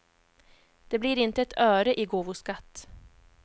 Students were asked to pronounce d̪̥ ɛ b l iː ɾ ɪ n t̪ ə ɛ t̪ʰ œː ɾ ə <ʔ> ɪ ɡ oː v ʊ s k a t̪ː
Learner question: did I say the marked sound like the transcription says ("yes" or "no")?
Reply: yes